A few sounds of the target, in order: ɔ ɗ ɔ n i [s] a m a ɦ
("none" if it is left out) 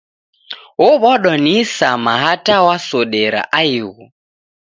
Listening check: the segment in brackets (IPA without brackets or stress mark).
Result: s